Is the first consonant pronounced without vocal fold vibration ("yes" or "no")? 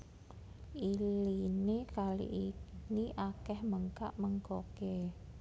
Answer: no